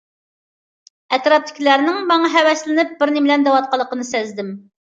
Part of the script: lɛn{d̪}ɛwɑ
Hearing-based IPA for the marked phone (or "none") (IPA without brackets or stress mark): d̪